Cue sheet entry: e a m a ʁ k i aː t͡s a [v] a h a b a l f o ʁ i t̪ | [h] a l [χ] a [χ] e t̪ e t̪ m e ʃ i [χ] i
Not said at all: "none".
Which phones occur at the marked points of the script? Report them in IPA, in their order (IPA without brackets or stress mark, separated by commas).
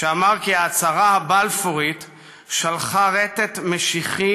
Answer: ʁ, ʃ, χ, ʁ, χ